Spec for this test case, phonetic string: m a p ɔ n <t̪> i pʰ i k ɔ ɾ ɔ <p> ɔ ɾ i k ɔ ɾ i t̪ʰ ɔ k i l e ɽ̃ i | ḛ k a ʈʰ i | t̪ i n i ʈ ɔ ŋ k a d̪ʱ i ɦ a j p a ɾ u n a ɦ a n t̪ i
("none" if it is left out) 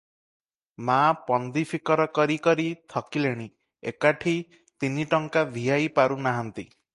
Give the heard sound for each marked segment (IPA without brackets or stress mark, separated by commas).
d̪, k